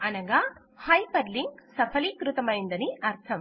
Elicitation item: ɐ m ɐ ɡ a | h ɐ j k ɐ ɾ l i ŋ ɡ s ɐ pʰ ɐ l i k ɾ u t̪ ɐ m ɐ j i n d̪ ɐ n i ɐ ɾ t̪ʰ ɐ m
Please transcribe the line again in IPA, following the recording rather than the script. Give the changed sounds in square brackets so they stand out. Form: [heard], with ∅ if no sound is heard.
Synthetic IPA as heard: ɐ [n] ɐ ɡ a | h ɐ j [p] ɐ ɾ l i ŋ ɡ s ɐ pʰ ɐ l i k ɾ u t̪ ɐ m ɐ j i n d̪ ɐ n i ɐ ɾ t̪ʰ ɐ m